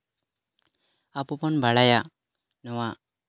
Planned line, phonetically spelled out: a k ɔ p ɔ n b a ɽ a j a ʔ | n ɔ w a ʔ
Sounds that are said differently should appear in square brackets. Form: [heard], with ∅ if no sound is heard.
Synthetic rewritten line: a [p] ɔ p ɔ n b a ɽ a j a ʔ | n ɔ w a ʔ